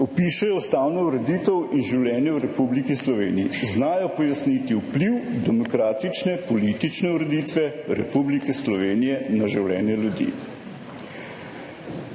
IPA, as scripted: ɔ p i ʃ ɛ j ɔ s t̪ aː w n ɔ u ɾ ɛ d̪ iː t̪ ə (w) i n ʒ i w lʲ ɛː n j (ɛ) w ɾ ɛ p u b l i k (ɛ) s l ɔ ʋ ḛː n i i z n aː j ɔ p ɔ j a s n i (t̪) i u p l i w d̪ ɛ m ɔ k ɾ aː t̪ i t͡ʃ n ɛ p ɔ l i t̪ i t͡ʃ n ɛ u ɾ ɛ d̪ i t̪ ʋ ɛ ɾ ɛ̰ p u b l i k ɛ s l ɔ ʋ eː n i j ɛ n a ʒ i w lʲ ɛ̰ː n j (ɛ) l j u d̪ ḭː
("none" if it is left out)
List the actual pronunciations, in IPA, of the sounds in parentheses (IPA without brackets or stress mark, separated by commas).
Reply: w, ɛ, i, t̪, ɛ